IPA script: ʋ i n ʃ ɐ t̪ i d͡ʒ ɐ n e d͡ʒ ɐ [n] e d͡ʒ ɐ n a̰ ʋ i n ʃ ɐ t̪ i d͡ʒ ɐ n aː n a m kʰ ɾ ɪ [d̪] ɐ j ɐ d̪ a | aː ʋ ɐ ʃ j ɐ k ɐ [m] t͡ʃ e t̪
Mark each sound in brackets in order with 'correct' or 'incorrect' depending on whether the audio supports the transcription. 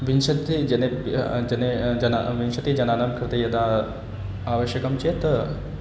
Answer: correct, incorrect, correct

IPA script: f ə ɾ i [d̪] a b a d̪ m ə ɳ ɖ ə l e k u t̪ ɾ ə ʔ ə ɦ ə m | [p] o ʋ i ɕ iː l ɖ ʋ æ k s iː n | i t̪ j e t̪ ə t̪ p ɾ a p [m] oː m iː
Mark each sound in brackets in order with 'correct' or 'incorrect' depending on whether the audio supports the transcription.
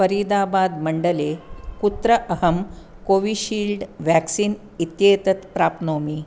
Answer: correct, incorrect, incorrect

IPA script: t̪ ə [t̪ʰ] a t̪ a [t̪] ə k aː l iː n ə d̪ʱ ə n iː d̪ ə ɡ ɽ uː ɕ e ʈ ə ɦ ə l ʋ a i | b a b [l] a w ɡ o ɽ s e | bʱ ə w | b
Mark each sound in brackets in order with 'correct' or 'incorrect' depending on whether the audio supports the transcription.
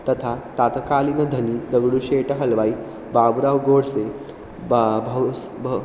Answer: correct, correct, incorrect

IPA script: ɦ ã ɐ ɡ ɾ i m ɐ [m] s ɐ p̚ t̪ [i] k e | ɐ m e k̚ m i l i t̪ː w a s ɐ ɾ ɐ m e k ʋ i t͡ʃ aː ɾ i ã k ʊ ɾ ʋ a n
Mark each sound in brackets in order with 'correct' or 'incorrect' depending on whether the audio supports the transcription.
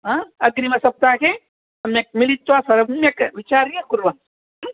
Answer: incorrect, incorrect

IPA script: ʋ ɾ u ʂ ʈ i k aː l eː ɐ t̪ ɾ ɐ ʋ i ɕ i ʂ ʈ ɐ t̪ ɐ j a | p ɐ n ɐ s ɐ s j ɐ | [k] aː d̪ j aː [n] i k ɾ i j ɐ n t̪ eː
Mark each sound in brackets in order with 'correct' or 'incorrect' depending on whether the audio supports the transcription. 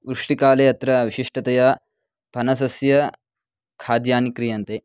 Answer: incorrect, correct

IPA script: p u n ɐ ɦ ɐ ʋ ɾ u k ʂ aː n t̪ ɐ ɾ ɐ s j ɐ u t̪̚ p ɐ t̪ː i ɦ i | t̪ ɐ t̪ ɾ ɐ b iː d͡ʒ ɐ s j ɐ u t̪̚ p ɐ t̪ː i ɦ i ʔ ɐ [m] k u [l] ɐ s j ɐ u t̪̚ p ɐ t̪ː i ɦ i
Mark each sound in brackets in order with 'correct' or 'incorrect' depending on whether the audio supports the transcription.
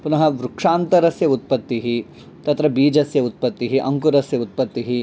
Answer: incorrect, incorrect

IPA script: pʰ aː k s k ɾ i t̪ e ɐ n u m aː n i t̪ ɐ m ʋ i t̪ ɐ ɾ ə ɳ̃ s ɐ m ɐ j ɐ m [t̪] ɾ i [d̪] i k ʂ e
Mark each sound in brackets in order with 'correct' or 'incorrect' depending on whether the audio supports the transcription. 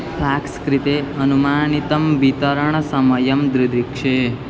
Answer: incorrect, correct

